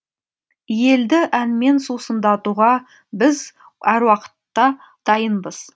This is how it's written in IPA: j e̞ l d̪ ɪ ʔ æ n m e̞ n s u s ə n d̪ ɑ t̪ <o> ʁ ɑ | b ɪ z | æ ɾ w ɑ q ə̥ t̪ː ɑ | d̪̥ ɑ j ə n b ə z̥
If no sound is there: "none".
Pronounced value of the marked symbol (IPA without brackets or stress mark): u